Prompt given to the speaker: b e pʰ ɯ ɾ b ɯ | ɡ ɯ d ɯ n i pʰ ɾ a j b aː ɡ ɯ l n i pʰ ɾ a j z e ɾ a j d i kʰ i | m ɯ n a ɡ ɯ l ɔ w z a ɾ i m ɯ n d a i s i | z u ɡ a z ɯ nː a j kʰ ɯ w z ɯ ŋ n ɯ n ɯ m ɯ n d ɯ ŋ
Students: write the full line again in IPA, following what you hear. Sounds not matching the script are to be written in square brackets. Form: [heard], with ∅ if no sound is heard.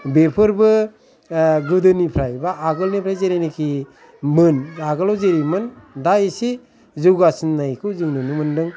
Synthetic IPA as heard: b e pʰ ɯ ɾ b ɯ | ɡ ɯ d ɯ n i pʰ ɾ a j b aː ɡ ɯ l n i pʰ ɾ a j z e ɾ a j [n] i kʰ i | m ɯ n a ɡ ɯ l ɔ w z [e] ɾ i m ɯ n d a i s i | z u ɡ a [s] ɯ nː a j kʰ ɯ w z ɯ ŋ n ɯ n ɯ m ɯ n d ɯ ŋ